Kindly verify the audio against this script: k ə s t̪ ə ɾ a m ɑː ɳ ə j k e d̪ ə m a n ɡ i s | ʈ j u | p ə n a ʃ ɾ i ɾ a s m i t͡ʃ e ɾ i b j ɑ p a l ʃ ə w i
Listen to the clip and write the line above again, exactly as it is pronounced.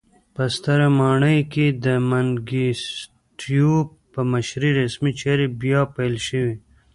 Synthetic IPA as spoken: p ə s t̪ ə ɾ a m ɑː ɳ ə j k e d̪ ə m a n ɡ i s | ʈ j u | p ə m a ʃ ɾ i ɾ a s m i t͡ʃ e ɾ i b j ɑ p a l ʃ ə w i